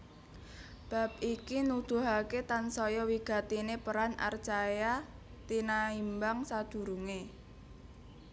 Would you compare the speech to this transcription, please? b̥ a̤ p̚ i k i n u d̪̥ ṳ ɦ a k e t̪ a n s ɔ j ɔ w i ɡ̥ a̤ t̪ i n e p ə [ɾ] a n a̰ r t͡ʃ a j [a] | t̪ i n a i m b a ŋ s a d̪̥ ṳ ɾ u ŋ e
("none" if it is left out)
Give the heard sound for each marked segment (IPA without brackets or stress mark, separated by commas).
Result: ɾ, a